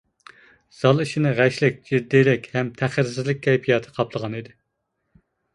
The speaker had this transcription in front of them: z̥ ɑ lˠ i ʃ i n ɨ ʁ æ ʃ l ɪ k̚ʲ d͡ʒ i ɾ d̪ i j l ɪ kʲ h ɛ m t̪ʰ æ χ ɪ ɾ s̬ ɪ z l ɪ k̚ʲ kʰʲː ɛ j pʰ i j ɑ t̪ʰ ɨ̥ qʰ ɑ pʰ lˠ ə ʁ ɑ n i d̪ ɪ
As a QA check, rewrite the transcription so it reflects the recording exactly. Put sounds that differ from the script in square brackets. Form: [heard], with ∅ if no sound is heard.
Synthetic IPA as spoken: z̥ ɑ lˠ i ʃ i n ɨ ʁ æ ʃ l ɪ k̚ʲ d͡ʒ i ɾ d̪ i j l ɪ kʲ h ɛ m t̪ʰ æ χ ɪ ɾ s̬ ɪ z l ɪ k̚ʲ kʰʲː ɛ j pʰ i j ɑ t̪ʰ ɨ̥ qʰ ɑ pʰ lˠ ə ʁ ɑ n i d̪ ɪ